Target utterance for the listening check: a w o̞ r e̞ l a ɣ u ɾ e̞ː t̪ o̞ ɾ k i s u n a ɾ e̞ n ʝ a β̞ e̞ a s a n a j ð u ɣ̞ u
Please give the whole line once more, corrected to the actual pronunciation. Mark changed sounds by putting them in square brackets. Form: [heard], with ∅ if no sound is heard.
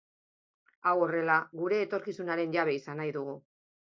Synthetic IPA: a w o̞ r e̞ l a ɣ u ɾ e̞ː t̪ o̞ ɾ k i s u n a ɾ e̞ n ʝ a β̞ e̞ [i] s a n a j ð u ɣ̞ u